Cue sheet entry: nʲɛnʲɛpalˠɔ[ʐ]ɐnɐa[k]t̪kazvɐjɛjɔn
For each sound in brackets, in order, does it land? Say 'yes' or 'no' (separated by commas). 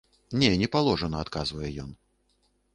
yes, no